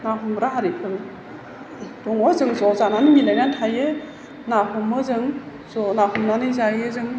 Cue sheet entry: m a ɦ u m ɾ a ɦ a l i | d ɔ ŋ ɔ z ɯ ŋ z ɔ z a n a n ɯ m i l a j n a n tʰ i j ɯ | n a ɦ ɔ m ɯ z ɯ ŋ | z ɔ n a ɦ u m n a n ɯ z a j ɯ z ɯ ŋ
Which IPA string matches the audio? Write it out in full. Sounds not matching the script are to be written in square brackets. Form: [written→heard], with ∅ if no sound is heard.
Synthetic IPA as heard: [m→n] a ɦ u m ɾ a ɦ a [l→ɾ] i | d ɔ ŋ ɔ z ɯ ŋ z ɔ z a n a n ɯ m i l a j n a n tʰ [i→a] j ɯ | n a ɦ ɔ m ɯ z ɯ ŋ | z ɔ n a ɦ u m n a n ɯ z a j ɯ z ɯ ŋ